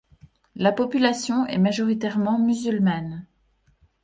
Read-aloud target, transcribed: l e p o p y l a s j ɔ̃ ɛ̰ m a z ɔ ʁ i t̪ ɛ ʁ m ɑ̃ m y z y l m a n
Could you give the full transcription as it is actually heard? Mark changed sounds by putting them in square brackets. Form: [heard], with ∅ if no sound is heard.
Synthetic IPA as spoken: l [a] p [ɔ] p y l a s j ɔ̃ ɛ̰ m a [ʒ] ɔ ʁ i t̪ ɛ ʁ m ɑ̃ m y z y l m a n